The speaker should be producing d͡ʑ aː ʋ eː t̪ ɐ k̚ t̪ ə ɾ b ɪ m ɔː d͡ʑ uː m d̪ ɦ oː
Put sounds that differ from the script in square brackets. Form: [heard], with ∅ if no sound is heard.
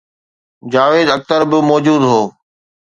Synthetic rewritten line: d͡ʑ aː ʋ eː [d̪] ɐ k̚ t̪ ə ɾ b ɪ m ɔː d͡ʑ uː [∅] d̪ ɦ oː